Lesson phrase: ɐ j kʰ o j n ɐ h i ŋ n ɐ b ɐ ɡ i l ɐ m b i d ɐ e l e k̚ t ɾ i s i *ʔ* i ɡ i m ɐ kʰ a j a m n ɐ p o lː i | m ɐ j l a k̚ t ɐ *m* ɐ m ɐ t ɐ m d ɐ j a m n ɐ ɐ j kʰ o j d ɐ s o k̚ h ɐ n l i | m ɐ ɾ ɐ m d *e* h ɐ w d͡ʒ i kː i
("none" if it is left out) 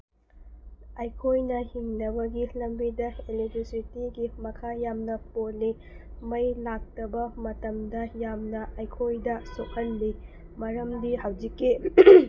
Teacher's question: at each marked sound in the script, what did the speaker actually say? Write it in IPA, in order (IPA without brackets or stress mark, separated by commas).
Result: t, b, i